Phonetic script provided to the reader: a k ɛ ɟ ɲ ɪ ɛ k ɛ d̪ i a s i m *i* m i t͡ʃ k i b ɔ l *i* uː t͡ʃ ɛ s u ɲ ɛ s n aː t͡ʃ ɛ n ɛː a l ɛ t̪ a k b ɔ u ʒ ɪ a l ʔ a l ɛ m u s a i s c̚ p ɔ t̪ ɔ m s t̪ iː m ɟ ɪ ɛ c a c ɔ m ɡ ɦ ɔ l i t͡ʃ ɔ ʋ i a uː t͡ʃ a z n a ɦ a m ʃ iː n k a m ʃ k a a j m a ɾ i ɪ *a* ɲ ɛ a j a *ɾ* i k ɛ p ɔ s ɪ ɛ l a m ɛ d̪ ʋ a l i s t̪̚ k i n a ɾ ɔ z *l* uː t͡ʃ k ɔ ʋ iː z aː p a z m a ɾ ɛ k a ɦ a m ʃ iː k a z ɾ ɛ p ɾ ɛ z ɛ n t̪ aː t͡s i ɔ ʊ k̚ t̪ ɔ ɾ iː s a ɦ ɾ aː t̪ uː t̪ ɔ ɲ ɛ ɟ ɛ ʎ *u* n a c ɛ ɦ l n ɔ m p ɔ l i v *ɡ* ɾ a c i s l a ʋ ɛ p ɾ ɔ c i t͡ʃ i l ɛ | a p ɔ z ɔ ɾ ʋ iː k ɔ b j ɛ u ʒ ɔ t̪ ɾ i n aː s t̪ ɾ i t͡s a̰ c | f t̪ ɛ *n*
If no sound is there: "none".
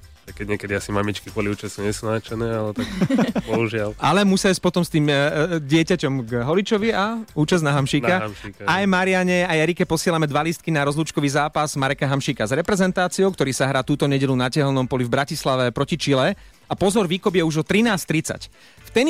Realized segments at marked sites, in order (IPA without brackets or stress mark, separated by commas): a, i, a, ɾ, l, u, b, n